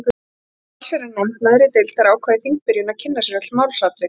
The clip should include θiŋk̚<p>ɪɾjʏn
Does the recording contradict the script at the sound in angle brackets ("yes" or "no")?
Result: no